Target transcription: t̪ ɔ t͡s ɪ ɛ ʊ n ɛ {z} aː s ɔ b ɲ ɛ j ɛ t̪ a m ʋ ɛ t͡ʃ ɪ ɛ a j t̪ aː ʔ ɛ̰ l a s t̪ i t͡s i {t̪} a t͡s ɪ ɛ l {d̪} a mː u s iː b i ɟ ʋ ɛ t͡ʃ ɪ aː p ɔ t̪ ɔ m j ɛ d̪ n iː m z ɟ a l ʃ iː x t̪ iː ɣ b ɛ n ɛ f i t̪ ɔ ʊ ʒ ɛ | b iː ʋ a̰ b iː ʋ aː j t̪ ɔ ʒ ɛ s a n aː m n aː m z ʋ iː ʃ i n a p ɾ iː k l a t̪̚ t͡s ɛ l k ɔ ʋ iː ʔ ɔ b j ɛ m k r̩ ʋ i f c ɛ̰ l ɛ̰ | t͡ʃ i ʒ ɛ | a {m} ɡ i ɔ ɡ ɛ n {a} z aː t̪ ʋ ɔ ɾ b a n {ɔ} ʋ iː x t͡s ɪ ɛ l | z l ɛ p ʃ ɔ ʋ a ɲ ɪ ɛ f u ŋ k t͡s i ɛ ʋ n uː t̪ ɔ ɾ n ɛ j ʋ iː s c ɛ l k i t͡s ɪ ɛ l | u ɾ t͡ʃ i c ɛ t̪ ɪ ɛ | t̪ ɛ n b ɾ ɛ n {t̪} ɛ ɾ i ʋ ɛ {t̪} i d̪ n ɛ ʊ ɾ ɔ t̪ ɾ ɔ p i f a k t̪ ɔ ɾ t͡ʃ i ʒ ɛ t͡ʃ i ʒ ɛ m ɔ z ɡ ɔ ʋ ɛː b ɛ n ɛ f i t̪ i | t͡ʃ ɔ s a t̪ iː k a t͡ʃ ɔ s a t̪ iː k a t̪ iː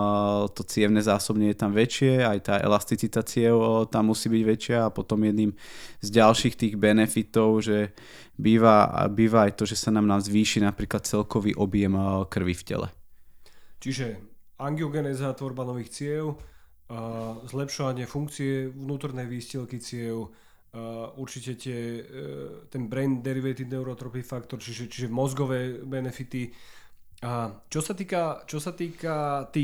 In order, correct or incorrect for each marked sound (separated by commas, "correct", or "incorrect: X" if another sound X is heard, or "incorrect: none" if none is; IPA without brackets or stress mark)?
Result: correct, correct, incorrect: t̪, incorrect: ŋ, incorrect: ɛ, correct, incorrect: d̪, correct